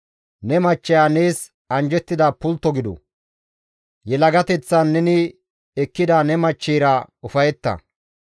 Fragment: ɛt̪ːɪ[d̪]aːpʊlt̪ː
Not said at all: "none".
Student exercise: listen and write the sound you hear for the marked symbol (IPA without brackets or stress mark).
d̪